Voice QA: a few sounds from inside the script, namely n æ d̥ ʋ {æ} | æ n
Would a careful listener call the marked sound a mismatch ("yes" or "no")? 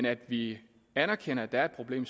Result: yes